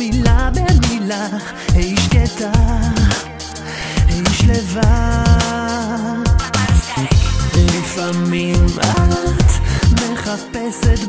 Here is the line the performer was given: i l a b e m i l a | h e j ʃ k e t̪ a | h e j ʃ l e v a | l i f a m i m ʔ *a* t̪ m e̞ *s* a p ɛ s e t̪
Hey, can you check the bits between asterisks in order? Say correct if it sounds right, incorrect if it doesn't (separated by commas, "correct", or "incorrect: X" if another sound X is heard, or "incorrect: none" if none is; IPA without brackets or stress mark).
correct, incorrect: χ